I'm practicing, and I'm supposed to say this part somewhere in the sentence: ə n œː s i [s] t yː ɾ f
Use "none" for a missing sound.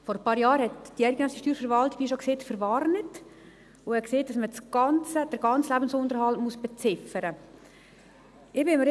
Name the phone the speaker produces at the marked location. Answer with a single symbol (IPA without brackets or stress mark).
ʃ